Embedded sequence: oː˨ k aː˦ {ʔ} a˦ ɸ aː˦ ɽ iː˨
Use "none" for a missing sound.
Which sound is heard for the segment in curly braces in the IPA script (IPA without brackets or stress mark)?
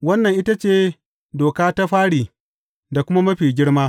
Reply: t